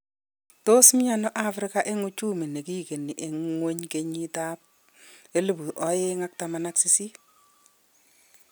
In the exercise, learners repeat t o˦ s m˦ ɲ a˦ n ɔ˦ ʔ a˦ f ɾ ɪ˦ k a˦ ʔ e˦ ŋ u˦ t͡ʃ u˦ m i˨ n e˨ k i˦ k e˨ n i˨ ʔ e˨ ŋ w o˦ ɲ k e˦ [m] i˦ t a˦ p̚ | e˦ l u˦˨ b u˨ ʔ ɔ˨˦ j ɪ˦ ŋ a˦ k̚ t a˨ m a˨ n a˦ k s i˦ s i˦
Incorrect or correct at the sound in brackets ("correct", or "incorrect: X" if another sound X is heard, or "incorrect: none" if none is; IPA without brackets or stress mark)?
incorrect: ɲ